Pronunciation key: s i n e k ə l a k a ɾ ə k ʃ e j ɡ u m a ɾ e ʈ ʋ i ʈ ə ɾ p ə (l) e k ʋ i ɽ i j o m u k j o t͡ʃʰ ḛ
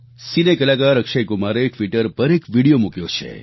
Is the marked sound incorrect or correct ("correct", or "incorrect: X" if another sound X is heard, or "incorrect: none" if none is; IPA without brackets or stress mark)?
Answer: incorrect: ɾ